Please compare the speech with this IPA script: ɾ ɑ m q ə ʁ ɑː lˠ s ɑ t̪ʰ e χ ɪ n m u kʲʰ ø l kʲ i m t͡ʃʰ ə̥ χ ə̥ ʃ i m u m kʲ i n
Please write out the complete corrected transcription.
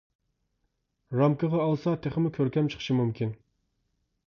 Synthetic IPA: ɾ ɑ m k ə ʁ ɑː lˠ s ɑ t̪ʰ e χ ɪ m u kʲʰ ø ɾ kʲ ɛ m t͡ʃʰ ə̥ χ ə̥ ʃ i m u m kʲ i n